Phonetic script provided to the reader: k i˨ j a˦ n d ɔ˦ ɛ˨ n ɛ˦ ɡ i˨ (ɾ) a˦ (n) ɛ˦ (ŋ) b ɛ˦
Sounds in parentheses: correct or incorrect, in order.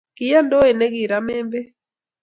correct, incorrect: m, incorrect: m

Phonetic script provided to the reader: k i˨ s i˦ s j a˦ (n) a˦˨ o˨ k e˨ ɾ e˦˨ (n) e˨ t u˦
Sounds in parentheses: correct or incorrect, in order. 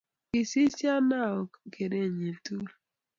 correct, incorrect: ɲ

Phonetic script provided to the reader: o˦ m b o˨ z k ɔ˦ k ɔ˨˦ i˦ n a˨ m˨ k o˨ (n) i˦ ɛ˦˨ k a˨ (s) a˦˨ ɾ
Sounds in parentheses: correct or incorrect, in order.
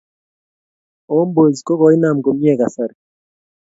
incorrect: m, correct

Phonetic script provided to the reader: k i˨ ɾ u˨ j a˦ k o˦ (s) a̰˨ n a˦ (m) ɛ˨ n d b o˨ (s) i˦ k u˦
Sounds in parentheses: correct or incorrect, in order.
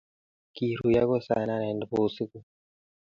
correct, incorrect: n, correct

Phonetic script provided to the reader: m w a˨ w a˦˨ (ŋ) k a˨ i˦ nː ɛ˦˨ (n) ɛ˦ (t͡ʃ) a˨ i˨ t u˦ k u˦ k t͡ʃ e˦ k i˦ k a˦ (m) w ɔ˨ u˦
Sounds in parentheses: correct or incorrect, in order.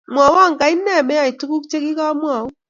correct, incorrect: m, incorrect: none, correct

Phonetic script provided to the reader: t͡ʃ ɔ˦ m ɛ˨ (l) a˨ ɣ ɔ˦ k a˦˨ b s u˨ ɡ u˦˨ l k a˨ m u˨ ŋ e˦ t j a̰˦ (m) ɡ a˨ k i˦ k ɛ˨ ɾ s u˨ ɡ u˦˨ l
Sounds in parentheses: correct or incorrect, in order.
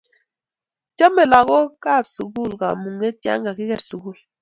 correct, incorrect: ŋ

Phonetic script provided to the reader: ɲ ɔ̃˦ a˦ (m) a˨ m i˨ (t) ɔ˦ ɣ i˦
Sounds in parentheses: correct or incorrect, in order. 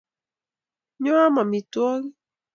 correct, correct

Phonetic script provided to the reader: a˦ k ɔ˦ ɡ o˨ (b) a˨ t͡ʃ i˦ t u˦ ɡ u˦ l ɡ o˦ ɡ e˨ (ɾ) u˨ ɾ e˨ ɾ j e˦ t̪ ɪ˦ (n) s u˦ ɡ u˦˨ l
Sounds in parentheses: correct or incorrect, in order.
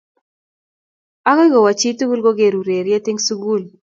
incorrect: w, correct, incorrect: ŋ

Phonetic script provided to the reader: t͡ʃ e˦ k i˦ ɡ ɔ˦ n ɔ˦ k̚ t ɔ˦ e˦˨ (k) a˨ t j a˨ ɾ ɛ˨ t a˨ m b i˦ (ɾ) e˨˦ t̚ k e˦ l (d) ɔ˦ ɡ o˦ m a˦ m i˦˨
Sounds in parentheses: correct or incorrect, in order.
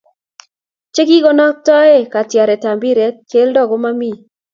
correct, correct, correct

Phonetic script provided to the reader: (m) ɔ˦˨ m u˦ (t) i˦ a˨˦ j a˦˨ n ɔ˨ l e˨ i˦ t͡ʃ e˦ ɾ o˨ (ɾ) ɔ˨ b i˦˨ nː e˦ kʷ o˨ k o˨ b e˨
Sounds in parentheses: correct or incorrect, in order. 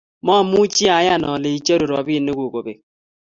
correct, incorrect: t͡ʃ, correct

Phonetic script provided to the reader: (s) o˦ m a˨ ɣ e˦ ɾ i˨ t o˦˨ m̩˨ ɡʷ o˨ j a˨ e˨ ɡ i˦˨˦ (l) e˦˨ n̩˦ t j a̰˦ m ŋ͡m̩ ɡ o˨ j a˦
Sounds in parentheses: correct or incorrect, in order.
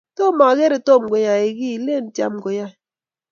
incorrect: t, correct

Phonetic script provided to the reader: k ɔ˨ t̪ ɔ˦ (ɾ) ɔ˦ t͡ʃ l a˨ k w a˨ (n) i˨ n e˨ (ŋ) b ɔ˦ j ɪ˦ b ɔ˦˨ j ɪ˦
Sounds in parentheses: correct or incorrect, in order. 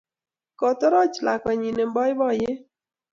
correct, incorrect: ɲ, incorrect: m

